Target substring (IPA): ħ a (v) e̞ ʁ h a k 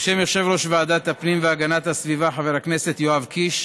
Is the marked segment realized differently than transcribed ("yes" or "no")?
no